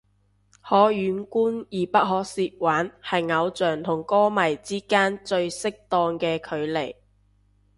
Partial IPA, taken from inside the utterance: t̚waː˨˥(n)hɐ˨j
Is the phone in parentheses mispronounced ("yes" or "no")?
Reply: no